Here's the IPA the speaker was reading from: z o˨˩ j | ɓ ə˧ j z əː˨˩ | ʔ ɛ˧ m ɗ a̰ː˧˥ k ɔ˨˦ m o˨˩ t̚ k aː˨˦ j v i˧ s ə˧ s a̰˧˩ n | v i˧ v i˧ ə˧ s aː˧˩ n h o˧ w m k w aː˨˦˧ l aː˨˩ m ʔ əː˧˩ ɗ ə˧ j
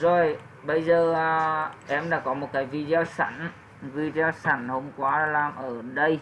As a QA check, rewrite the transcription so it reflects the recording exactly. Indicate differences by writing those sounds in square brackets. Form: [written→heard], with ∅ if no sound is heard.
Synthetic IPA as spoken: z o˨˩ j | ɓ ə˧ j z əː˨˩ | ʔ ɛ˧ m ɗ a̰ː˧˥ k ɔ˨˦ m o˨˩ t̚ k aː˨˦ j v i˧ [s→z] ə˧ s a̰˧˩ n | v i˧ [v→z] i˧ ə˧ s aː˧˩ n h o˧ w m k w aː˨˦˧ l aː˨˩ m ʔ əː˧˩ ɗ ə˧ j

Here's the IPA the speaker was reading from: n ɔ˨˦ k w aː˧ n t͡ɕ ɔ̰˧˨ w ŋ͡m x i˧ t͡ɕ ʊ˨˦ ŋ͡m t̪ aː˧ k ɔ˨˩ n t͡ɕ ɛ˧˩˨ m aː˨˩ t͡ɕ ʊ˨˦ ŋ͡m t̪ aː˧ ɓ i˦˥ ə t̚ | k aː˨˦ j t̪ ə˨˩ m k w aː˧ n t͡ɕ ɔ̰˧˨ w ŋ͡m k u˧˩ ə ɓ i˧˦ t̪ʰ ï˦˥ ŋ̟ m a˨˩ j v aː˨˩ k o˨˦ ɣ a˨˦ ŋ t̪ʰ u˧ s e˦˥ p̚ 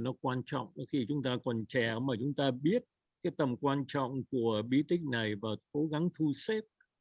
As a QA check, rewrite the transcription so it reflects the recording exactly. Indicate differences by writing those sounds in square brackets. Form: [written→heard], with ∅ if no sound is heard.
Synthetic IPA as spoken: n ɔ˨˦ k w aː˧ n t͡ɕ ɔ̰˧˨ w ŋ͡m x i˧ t͡ɕ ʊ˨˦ ŋ͡m t̪ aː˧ k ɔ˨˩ n t͡ɕ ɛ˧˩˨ m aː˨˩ t͡ɕ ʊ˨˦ ŋ͡m t̪ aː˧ ɓ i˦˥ ə t̚ | k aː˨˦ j t̪ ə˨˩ m k w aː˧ n t͡ɕ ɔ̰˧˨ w ŋ͡m k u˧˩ ə ɓ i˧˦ [t̪ʰ→t̪] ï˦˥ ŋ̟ [m→n] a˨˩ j v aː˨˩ k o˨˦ ɣ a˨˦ ŋ t̪ʰ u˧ s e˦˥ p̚

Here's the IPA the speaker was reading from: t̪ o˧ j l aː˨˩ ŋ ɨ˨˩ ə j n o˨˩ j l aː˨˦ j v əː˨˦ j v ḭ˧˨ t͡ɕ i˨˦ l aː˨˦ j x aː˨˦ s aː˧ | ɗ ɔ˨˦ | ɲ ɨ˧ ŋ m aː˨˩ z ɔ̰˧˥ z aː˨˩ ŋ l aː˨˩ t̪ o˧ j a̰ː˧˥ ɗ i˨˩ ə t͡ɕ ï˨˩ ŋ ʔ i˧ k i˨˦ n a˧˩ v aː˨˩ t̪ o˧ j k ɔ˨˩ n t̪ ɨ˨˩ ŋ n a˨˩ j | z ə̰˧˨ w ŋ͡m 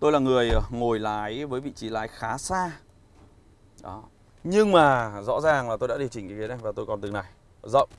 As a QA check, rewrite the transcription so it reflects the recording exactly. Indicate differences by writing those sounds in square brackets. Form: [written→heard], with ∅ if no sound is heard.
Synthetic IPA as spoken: t̪ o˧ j l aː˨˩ ŋ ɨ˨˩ ə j [n→ŋ] o˨˩ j l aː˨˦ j v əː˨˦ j v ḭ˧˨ t͡ɕ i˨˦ l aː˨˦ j x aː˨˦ s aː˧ | ɗ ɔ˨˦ | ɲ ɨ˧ ŋ m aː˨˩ z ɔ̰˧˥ z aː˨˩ ŋ l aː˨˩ t̪ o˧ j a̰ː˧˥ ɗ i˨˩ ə t͡ɕ ï˨˩ ŋ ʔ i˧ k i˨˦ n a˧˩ v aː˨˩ t̪ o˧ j k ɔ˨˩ n t̪ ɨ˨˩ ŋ n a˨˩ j | z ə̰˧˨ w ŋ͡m

